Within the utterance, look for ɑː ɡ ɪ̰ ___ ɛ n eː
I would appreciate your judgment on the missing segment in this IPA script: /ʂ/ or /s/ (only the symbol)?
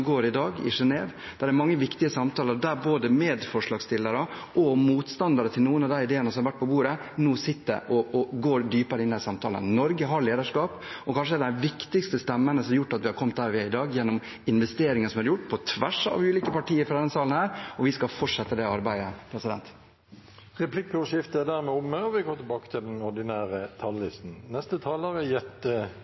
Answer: ʂ